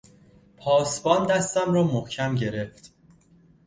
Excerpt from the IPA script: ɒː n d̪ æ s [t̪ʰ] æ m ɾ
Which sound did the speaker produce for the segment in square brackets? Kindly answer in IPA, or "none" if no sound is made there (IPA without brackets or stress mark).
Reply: t̪